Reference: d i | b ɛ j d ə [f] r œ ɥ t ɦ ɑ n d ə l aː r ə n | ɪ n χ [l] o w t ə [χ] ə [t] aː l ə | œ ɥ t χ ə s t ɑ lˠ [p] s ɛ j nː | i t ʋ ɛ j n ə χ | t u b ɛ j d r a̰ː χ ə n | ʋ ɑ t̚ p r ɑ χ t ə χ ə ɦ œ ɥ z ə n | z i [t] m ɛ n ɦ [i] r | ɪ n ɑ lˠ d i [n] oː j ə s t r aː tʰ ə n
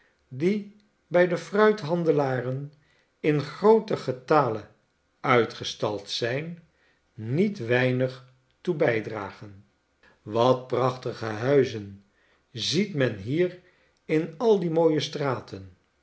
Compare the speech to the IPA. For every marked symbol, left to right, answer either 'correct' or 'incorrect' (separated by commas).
correct, incorrect, correct, correct, incorrect, correct, incorrect, incorrect